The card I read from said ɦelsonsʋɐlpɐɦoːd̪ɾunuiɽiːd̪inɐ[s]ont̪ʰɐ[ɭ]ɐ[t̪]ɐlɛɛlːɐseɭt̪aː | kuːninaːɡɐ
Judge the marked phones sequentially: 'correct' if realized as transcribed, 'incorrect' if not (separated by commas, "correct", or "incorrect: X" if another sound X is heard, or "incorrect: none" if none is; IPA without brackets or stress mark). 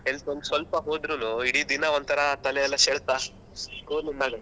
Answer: incorrect: none, incorrect: ɾ, correct